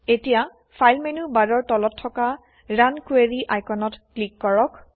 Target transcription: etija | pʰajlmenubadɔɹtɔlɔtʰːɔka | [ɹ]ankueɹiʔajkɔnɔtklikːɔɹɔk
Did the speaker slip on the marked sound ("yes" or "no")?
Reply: no